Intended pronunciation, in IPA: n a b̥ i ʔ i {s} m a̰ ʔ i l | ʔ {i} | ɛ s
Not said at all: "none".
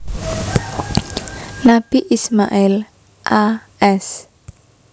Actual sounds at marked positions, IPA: s, a

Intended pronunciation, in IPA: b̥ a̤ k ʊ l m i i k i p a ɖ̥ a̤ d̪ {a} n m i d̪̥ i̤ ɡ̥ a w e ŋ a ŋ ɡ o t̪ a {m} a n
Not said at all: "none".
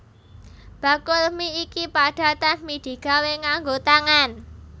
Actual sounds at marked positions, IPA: a, ŋ

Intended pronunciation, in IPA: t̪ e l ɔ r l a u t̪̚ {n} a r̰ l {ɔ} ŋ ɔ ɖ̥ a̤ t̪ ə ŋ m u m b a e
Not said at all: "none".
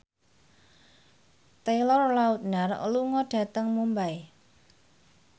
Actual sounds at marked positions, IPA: n, u

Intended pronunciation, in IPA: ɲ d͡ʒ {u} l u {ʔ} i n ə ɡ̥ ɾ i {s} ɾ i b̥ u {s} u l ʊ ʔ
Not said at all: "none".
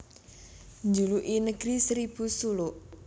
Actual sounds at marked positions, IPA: u, ʔ, s, s

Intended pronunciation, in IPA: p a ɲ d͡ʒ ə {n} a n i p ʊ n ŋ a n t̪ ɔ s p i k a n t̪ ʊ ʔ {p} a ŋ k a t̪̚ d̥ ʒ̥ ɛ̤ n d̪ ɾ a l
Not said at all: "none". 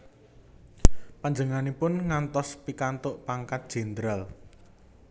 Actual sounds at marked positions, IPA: ŋ, p

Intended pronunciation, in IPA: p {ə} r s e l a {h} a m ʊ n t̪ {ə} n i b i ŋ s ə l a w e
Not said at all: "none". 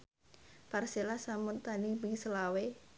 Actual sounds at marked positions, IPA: a, s, a

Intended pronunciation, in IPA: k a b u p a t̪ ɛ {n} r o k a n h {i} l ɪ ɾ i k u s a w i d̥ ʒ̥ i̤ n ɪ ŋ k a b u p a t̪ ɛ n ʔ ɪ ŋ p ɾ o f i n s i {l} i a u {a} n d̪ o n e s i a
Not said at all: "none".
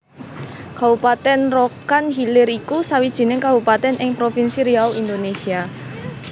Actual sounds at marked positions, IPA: n, i, ɾ, i

